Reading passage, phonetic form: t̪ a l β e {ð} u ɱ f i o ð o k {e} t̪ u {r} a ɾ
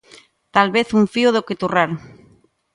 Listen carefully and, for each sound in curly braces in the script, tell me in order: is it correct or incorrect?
incorrect: θ, correct, correct

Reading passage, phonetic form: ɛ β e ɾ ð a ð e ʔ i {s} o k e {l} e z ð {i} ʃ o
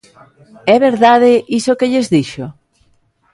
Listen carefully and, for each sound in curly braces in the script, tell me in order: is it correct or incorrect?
correct, incorrect: ʎ, correct

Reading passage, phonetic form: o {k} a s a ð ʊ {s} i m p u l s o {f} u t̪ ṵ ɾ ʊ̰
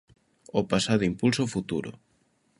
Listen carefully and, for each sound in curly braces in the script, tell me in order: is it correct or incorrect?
incorrect: p, incorrect: none, correct

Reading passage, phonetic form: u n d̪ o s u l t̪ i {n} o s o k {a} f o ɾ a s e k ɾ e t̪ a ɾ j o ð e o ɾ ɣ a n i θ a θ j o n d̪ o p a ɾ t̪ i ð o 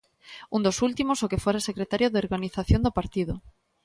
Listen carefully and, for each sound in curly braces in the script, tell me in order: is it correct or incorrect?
incorrect: m, incorrect: e

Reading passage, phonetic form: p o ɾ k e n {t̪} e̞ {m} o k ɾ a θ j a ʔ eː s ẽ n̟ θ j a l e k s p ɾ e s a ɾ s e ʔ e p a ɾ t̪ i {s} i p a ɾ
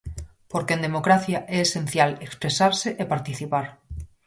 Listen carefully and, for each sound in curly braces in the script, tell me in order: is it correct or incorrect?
incorrect: d̪, correct, incorrect: θ

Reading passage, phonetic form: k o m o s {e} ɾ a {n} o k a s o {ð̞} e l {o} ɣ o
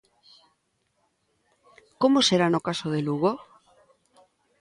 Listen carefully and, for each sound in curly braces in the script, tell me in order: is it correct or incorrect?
correct, correct, correct, incorrect: u

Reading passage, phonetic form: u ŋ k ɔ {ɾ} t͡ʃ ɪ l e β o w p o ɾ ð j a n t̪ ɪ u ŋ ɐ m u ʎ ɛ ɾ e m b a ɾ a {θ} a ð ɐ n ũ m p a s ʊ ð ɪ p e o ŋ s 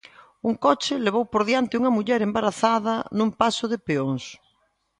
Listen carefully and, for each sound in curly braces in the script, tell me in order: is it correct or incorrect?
incorrect: none, correct

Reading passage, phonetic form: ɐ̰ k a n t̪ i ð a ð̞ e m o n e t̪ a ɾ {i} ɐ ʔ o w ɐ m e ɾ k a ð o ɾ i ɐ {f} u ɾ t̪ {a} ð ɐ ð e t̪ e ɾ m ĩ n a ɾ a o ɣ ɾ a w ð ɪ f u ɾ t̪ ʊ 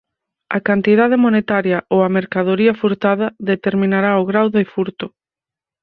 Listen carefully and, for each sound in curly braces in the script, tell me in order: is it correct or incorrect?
incorrect: j, correct, correct

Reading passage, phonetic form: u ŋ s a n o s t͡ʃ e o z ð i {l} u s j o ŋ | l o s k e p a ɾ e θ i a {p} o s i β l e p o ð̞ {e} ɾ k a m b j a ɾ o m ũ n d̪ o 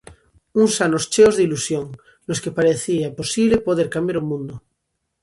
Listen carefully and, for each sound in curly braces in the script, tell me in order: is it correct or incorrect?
correct, correct, correct

